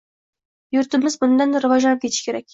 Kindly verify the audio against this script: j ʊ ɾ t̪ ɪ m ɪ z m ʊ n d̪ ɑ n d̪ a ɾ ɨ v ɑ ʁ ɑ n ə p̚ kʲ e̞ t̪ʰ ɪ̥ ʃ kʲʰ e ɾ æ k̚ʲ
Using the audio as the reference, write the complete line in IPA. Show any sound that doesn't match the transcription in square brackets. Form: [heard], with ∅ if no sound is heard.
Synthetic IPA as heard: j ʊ ɾ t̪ ɪ m ɪ z [b] ʊ n d̪ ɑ n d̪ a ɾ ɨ v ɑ [ʒ] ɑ n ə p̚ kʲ e̞ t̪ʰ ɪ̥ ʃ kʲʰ e ɾ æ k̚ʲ